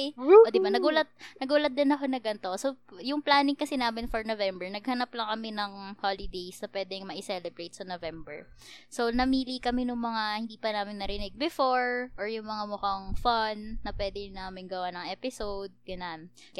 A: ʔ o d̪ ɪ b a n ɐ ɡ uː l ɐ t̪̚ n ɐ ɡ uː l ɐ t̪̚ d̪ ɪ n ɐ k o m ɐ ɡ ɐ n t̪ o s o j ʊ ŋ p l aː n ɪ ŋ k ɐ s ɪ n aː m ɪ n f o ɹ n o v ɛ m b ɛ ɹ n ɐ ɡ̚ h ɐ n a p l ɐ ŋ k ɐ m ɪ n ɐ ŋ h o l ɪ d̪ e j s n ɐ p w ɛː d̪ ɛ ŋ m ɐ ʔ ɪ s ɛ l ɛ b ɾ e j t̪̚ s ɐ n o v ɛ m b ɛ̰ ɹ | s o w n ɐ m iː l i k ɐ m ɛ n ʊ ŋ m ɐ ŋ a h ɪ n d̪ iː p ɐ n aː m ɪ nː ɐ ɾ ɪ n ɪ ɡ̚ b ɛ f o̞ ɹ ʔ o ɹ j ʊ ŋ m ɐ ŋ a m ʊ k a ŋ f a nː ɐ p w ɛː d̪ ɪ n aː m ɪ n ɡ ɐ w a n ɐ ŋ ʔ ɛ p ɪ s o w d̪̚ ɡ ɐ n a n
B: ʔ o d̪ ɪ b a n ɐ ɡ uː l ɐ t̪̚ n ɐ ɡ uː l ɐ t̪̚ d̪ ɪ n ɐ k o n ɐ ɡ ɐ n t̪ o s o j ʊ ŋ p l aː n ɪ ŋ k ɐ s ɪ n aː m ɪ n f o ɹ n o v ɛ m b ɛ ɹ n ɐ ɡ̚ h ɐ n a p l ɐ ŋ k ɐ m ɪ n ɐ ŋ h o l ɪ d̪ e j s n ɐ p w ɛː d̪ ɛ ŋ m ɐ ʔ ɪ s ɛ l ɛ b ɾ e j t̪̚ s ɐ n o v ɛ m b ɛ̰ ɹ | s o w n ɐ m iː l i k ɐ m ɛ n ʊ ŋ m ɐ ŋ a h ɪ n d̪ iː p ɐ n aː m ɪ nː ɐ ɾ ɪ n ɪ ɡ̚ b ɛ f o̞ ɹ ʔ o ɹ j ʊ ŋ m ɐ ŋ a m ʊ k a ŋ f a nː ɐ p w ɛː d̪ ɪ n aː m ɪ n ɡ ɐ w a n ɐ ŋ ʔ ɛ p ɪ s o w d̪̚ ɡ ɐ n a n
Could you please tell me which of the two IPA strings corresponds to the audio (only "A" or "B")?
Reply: B